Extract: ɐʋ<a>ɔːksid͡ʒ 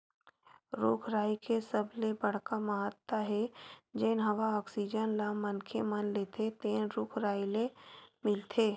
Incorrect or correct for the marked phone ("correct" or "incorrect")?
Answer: correct